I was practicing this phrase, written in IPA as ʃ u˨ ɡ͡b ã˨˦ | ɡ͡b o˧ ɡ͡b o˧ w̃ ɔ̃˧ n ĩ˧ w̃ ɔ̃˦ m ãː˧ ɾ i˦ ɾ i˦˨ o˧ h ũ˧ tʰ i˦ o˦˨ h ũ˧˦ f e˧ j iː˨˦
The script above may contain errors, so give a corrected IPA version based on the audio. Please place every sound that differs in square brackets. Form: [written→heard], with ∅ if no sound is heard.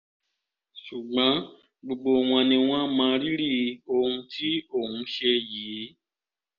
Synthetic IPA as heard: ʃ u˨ ɡ͡b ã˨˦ | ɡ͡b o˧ ɡ͡b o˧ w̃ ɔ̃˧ n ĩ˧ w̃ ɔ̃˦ m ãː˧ ɾ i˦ ɾ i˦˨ o˧ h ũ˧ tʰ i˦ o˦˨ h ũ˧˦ [f→ʃ] e˧ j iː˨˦